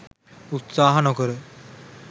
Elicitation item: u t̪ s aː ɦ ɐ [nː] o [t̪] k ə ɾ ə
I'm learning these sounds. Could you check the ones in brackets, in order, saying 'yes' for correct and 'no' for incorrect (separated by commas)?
no, no